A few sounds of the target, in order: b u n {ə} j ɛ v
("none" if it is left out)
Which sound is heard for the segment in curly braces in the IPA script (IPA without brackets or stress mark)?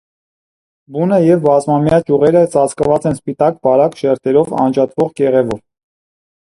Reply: ə